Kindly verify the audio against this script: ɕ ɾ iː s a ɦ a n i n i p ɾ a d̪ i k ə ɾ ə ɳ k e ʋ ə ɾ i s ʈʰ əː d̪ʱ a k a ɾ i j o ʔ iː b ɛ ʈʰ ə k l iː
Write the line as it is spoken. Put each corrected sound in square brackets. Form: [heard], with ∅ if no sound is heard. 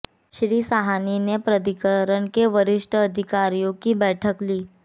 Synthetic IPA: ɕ ɾ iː s a ɦ a n i n [e] p ɾ [ə] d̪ i k ə ɾ ə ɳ k e ʋ ə ɾ i [ʂ] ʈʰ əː d̪ʱ [i] k a ɾ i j o [k] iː b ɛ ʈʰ ə k l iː